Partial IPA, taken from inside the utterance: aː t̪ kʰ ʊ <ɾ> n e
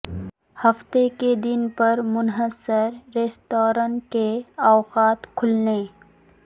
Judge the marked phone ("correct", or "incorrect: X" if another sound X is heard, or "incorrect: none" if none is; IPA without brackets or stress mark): incorrect: l